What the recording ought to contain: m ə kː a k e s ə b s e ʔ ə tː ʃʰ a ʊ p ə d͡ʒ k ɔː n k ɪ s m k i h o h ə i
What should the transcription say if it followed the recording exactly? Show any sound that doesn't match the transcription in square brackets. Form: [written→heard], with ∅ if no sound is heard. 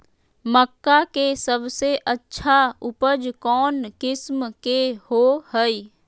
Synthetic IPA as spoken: m ə kː a k e s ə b s e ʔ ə tː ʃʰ a ʊ p ə d͡ʒ k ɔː n k ɪ s m k [i→e] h o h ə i